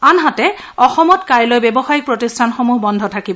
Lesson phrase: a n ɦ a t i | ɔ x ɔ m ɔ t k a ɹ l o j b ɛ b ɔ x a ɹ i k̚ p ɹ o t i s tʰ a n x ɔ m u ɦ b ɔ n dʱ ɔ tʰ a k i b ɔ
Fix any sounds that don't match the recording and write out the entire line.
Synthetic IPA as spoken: a n ɦ a t ɛ | ɔ x ɔ m ɔ t k a ɹ l o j b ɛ b ɔ x a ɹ i k̚ p ɹ o t i s tʰ a n x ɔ m u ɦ b ɔ n dʱ ɔ tʰ a k i b ɔ